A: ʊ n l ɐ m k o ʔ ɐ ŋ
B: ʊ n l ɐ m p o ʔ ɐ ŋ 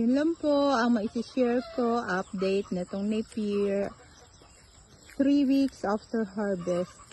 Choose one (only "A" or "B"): B